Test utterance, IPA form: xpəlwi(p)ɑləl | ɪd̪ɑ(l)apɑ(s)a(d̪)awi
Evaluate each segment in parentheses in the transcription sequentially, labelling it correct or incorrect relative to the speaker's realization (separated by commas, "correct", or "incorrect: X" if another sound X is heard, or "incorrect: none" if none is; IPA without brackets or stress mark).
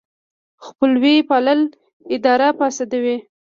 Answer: correct, incorrect: ɾ, correct, correct